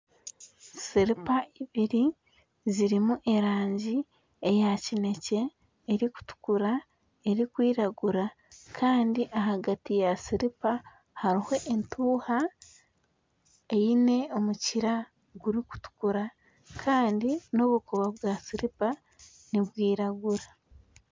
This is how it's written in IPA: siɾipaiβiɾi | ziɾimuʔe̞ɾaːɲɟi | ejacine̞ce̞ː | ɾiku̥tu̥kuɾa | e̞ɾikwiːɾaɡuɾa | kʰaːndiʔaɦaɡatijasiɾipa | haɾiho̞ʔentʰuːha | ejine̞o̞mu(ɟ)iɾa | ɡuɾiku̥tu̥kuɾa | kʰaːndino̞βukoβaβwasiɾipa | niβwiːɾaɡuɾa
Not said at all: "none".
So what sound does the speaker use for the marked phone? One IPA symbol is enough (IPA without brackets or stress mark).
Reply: c